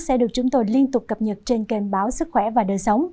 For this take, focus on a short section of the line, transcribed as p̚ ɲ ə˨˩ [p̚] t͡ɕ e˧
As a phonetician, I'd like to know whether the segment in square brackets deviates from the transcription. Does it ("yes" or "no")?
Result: yes